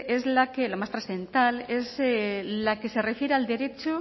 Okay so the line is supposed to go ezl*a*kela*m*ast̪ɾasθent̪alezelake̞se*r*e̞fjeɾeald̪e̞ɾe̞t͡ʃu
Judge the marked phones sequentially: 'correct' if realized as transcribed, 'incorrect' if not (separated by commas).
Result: correct, correct, correct